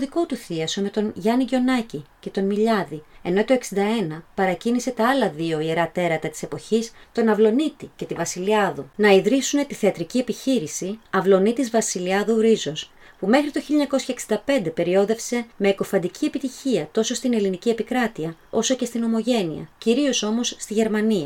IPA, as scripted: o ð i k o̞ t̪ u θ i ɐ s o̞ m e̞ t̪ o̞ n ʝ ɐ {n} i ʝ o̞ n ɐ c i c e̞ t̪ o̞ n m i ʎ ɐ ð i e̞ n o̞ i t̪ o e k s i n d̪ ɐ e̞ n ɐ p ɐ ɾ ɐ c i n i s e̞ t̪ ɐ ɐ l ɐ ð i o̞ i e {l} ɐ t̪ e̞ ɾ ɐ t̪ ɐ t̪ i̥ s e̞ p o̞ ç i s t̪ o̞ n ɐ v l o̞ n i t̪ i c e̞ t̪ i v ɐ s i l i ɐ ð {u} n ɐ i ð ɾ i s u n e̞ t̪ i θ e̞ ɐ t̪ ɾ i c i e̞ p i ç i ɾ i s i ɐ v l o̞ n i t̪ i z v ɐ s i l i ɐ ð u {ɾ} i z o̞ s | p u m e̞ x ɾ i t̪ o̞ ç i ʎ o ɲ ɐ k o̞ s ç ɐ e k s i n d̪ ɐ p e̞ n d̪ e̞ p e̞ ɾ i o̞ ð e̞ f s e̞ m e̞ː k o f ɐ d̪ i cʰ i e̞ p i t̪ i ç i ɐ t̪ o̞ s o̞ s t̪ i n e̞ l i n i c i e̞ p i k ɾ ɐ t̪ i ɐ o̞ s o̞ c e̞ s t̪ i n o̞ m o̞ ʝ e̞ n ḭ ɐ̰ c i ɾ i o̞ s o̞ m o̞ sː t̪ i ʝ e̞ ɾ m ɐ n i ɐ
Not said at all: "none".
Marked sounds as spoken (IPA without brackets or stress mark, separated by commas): n, ɾ, u, ɾ